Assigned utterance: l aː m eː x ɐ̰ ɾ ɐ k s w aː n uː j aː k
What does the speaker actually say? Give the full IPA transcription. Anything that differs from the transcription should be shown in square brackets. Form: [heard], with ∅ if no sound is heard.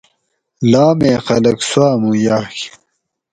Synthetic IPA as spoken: l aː m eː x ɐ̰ [l] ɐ k s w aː [m] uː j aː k